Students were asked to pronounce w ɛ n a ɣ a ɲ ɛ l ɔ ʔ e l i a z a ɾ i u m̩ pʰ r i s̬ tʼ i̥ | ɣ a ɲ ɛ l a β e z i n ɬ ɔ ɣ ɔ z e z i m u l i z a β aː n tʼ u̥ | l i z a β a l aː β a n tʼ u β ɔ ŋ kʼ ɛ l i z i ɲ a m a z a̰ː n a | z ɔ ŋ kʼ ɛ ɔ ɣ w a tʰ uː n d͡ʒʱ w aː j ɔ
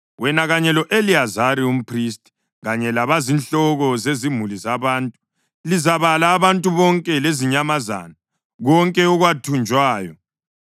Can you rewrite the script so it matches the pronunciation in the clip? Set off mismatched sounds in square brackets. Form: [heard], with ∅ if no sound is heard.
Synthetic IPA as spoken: w ɛ n a ɣ a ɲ ɛ l ɔ ʔ e l i a z a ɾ i u m̩ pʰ r i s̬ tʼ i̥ | ɣ a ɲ ɛ l a β [a] z i n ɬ ɔ ɣ ɔ z e z i m u l i z a β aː n tʼ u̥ | l i z a β a l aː β a n tʼ u β ɔ ŋ kʼ ɛ l [e] z i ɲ a m a z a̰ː n a | [ɣ] ɔ ŋ kʼ ɛ ɔ ɣ w a tʰ [u] n d͡ʒʱ w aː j ɔ

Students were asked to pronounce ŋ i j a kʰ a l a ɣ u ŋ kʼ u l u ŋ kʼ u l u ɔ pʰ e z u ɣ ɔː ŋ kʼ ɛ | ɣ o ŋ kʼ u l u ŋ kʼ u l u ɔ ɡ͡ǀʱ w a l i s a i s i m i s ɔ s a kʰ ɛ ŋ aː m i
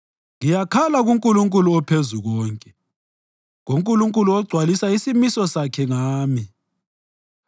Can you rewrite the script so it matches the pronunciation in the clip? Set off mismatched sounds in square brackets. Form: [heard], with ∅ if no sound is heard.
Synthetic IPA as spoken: ŋ i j a kʰ a l a ɣ u ŋ kʼ u l u ŋ kʼ u l u ɔ pʰ e z u ɣ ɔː ŋ kʼ ɛ | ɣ o ŋ kʼ u l u ŋ kʼ u l u ɔ ɡ͡ǀʱ w a l i s a i s i m i s ɔ s a kʰ ɛ ŋ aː m i

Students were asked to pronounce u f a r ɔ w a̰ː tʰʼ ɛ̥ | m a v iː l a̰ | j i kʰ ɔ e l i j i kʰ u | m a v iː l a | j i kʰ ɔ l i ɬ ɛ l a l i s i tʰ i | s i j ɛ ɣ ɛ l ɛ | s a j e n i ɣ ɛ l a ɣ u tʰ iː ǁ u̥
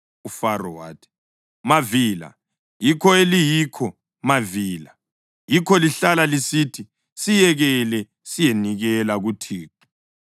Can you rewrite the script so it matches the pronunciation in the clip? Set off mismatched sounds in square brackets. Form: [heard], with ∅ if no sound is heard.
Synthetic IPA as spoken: u f a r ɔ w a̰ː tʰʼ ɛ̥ | m a v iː l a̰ | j i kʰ ɔ e l i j i kʰ [ɔ] | m a v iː l a | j i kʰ ɔ l i ɬ [a] l a l i s i tʰ i | s i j ɛ ɣ ɛ l ɛ | s [i] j e n i ɣ ɛ l a ɣ u tʰ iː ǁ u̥

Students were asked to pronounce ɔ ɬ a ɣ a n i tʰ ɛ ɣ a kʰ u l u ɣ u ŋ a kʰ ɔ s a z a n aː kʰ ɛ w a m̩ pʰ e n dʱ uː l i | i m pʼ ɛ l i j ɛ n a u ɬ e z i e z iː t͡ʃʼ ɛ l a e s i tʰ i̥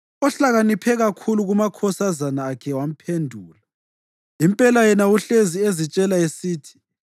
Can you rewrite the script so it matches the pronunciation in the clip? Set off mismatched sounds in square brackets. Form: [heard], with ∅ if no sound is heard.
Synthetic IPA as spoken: ɔ ɬ a ɣ a n i [pʰ] ɛ ɣ a kʰ u l u ɣ u [m] a kʰ ɔ s a z a n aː kʰ ɛ w a m̩ pʰ e n dʱ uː l [a] | i m pʼ ɛ l [a] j ɛ n a u ɬ e z i e z [i] t͡ʃʼ ɛ l a e s [iː] tʰ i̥

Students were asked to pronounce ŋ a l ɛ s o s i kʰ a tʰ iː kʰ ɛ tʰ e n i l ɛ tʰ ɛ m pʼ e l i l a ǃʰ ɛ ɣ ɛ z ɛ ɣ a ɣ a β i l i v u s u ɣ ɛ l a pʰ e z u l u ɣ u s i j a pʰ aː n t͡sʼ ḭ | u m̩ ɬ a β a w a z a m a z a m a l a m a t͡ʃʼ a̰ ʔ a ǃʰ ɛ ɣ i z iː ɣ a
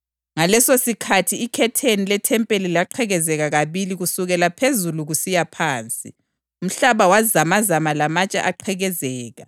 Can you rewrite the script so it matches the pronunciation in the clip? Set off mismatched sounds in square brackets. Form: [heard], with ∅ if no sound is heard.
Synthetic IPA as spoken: ŋ a l ɛ s o s i kʰ a tʰ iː kʰ ɛ tʰ e n i l ɛ tʰ ɛ m pʼ e l i l a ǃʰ ɛ ɣ ɛ z ɛ ɣ a ɣ a β i l i [ɣ] u s u ɣ ɛ l a pʰ e z u l u ɣ u s i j a pʰ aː n t͡sʼ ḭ | u m̩ ɬ a β a w a z a m a z a m a l a m a t͡ʃʼ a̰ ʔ a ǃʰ ɛ ɣ [ɛ] z [ɛː] ɣ a

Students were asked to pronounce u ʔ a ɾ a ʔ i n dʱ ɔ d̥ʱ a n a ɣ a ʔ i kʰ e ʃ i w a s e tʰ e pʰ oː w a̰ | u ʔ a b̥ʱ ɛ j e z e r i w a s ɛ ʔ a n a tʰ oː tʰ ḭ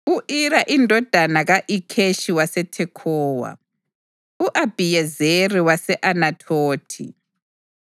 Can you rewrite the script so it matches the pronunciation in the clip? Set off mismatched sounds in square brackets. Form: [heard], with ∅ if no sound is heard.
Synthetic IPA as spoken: u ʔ [i] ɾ a ʔ i n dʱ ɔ d̥ʱ a n a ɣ a ʔ i kʰ e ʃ i w a s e tʰ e [kʰ] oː w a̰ | u ʔ a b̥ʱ [i] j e z e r i w a s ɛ ʔ a n a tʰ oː tʰ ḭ

